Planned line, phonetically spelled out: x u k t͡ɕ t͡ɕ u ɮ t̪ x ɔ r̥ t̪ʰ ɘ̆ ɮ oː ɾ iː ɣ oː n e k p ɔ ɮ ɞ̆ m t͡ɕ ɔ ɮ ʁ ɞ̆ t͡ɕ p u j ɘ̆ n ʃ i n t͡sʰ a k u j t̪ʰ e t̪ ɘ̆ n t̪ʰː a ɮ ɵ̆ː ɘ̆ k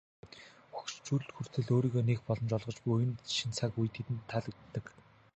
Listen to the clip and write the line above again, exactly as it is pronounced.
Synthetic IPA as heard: x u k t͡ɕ t͡ɕ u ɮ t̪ x u r̥ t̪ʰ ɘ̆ ɮ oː ɾ iː ɣ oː n e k p ɔ ɮ ɞ̆ m t͡ɕ ɔ ɮ ʁ ɞ̆ t͡ɕ p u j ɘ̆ n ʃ i n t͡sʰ a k u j t̪ʰ e t̪ ɘ̆ n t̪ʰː a ɮ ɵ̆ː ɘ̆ k